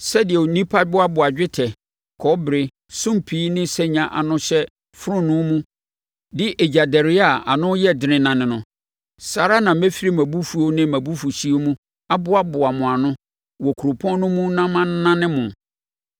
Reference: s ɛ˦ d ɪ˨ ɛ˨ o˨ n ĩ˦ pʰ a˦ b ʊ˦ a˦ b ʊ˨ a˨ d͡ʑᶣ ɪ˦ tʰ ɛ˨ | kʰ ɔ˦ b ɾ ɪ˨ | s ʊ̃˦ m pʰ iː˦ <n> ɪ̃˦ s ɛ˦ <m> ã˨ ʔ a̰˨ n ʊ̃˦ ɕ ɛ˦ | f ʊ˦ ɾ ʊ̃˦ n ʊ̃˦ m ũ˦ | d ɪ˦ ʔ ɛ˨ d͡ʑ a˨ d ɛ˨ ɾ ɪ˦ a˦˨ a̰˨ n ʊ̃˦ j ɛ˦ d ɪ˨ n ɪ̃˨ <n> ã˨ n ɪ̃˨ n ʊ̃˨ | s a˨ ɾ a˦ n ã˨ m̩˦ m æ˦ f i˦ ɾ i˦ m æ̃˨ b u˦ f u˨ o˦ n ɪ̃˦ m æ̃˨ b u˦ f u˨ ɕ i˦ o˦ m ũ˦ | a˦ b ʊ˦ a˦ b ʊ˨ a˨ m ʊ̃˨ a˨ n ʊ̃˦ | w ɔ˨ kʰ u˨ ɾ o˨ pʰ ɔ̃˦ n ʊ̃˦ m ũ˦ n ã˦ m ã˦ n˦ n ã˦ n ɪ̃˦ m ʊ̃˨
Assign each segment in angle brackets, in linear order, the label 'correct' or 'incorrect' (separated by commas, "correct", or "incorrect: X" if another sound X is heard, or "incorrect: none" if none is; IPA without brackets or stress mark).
correct, incorrect: ɲ, correct